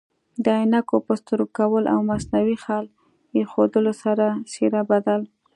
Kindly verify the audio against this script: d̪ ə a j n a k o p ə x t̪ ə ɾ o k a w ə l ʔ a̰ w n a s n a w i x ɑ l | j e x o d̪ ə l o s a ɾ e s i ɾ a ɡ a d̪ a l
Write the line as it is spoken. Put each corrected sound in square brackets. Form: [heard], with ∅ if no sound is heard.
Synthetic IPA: d̪ ə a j n a k o p ə [s] t̪ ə ɾ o k a w ə l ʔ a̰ w [m] a s n a w i x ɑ l | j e x o d̪ ə l o s a ɾ [a] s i ɾ a [b] a d̪ a l